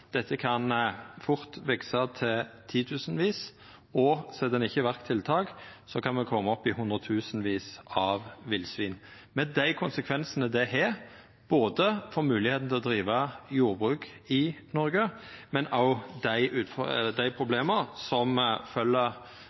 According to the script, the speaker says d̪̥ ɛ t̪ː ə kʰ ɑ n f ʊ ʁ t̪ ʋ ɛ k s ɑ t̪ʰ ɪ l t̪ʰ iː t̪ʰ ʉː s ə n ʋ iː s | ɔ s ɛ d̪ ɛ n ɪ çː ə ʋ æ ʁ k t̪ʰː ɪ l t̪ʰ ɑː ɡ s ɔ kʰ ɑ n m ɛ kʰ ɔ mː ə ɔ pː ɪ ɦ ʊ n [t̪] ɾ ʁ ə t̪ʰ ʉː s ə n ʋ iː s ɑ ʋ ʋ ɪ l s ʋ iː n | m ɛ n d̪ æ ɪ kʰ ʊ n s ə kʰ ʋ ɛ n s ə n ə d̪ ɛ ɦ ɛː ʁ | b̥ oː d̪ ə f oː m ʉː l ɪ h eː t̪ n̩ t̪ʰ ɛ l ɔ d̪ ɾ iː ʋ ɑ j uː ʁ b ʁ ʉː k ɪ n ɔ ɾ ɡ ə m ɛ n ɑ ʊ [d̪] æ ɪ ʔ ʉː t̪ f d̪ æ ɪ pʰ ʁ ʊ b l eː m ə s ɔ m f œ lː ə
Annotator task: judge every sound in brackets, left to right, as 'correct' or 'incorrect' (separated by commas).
incorrect, correct